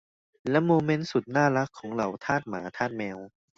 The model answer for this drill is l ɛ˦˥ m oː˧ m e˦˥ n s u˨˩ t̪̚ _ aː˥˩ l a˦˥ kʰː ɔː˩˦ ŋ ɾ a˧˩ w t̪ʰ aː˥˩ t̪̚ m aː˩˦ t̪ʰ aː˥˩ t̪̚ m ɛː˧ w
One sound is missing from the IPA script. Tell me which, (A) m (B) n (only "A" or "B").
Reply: B